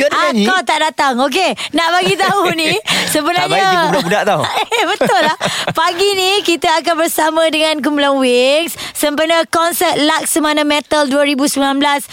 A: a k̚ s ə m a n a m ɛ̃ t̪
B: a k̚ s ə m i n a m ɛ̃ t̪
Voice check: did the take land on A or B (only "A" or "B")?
A